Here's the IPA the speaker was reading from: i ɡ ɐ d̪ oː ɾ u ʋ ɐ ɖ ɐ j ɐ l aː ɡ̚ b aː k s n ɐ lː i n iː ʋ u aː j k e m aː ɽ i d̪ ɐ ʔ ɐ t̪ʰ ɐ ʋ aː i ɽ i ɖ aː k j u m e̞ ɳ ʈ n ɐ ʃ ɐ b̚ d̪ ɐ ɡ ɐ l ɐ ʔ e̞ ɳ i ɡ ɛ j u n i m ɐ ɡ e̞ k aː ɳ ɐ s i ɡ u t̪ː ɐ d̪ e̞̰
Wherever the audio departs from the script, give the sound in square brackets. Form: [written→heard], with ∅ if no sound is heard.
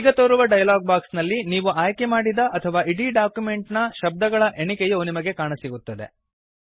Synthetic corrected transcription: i ɡ ɐ [d̪→t̪] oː ɾ u ʋ ɐ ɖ ɐ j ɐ l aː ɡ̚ b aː k s n ɐ lː i n iː ʋ u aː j k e m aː ɽ i d̪ ɐ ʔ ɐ t̪ʰ ɐ ʋ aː i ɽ i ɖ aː k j u m e̞ ɳ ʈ n ɐ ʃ ɐ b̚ d̪ ɐ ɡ ɐ [l→ɭ] ɐ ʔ e̞ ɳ i [ɡ→k] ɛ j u n i m ɐ ɡ e̞ k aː ɳ ɐ s i ɡ u t̪ː ɐ d̪ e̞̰